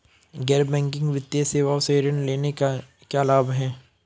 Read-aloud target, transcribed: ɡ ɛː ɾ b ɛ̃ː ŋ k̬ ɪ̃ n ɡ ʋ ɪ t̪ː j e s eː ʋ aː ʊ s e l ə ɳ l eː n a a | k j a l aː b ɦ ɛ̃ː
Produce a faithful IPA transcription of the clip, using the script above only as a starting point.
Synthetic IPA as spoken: ɡ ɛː ɾ b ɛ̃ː ŋ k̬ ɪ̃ ŋ ɡ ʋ ɪ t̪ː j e s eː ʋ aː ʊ s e ɾ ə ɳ l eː n e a | k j a l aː b ɦ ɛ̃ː